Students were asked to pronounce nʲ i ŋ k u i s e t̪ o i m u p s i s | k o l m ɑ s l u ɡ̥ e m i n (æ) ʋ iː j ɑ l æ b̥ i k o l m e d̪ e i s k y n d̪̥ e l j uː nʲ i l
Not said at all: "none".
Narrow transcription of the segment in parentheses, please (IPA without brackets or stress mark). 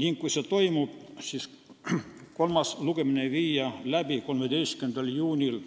e